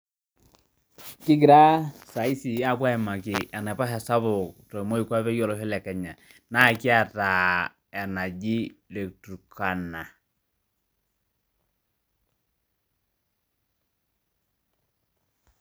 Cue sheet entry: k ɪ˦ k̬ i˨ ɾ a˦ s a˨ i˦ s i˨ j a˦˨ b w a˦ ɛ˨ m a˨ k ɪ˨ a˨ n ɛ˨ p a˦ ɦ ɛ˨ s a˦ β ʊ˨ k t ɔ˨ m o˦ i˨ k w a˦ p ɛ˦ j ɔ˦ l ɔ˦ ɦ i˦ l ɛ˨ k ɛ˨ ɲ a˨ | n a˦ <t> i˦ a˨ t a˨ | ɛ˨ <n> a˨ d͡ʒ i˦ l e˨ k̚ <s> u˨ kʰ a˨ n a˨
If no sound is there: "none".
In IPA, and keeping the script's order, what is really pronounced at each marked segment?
k, n, t

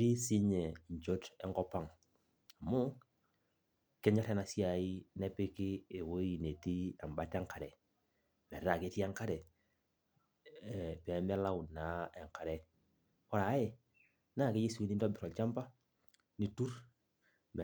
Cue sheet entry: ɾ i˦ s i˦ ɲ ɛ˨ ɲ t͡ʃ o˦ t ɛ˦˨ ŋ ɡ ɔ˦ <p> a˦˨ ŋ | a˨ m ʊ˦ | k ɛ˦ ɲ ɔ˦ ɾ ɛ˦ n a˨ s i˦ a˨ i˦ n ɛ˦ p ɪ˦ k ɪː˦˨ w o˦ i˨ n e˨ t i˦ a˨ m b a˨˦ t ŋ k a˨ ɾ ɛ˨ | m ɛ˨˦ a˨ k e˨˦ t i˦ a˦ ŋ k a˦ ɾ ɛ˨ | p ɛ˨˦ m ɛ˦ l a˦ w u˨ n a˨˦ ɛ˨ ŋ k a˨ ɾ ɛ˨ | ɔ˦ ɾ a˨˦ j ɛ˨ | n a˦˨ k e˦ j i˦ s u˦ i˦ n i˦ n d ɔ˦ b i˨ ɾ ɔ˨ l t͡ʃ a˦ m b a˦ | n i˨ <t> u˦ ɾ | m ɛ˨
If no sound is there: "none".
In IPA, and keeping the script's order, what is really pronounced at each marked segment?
p, t

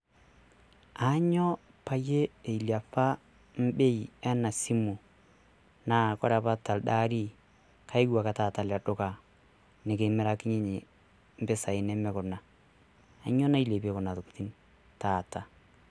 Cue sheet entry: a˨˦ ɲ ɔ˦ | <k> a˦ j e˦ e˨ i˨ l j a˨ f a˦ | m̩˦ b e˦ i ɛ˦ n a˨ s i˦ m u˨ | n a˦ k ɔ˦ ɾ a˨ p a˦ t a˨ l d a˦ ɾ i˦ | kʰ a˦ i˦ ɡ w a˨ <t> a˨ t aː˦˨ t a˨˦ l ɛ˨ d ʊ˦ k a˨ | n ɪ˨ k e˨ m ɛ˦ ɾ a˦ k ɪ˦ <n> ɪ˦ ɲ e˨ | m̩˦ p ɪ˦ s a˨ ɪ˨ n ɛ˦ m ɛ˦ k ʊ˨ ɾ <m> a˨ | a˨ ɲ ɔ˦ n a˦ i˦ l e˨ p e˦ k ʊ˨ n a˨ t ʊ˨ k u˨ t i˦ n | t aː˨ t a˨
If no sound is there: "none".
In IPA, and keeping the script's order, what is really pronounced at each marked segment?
p, k, ɲ, n

